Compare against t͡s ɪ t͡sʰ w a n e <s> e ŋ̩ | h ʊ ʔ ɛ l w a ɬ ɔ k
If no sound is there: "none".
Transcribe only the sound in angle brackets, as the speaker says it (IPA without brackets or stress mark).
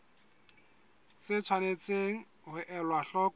t͡s